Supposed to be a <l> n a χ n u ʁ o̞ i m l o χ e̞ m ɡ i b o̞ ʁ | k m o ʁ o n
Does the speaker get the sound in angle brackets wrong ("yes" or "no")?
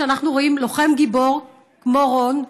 yes